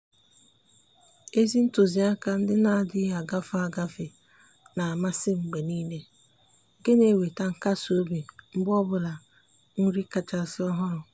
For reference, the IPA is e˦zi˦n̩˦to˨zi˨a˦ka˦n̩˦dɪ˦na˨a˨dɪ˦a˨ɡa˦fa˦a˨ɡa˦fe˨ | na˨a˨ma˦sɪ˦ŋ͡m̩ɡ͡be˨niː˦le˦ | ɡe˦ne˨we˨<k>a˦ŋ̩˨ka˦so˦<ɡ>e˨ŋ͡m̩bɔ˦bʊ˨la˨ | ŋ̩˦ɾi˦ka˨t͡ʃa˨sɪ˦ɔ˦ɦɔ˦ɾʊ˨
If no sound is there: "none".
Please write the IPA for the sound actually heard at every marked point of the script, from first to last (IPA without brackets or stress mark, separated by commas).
t, b